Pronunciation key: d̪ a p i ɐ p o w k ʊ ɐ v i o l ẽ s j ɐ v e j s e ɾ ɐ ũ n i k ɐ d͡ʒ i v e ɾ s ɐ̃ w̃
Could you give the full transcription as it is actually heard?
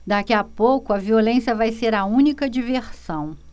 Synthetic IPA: d̪ a k i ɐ p o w k ʊ ɐ v i o l ẽ s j ɐ v a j s e ɾ ɐ ũ n i k ɐ d͡ʒ i v e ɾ s ɐ̃ w̃